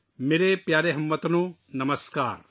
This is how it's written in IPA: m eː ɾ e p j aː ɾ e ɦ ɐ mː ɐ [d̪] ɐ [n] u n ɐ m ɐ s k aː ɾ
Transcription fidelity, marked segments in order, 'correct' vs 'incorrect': incorrect, correct

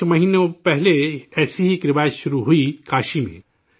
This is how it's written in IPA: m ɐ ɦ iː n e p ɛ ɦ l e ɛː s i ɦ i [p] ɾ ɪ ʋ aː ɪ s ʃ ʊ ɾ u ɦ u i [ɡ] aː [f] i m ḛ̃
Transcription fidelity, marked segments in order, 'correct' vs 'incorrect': incorrect, incorrect, incorrect

